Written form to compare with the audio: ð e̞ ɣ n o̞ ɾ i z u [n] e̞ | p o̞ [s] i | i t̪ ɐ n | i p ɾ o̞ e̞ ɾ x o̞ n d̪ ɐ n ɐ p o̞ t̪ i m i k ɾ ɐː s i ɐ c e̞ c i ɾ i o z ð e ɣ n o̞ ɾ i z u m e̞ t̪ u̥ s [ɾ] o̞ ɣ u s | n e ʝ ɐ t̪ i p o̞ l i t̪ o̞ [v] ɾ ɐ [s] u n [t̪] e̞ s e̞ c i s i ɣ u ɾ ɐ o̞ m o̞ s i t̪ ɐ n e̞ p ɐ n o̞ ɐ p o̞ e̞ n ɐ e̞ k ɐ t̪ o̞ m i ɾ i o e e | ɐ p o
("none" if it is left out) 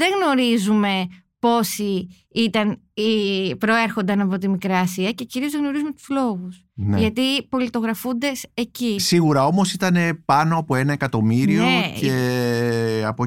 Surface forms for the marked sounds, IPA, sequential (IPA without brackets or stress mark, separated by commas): m, s, l, ɣ, f, d̪